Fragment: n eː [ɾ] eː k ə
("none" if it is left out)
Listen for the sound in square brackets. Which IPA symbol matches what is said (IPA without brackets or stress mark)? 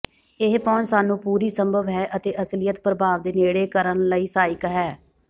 ɽ